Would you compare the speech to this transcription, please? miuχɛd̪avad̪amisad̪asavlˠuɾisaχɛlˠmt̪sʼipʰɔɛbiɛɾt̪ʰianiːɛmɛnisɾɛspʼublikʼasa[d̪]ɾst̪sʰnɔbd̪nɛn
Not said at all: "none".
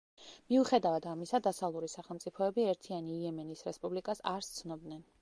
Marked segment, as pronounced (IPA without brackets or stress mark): none